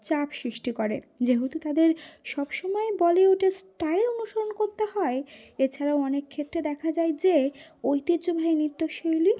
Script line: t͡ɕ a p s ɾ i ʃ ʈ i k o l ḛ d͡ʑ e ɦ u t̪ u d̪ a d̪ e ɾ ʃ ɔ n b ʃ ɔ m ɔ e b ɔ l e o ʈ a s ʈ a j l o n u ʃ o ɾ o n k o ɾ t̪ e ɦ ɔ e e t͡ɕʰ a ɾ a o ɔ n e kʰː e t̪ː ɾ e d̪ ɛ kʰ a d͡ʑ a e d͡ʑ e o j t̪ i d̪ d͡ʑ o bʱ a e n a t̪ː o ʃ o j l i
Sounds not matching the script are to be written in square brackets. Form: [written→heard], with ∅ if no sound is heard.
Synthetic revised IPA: t͡ɕ a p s ɾ i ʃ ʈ i k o [l→ɾ] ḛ d͡ʑ e ɦ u t̪ u [d̪→t̪] a d̪ e ɾ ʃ ɔ [n→∅] b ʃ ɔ m ɔ e b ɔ l e o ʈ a s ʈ a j l o n u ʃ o ɾ o n k o ɾ t̪ e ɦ ɔ e e t͡ɕʰ a ɾ a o ɔ n e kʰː e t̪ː ɾ e d̪ ɛ kʰ a d͡ʑ a e d͡ʑ e o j t̪ i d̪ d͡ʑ o bʱ a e n [a→i] t̪ː o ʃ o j l i